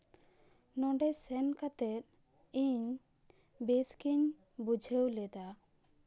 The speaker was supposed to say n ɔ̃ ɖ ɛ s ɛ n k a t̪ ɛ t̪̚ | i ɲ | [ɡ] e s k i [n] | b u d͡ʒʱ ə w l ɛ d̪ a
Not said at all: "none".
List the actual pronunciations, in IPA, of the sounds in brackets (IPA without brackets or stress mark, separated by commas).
b, ɲ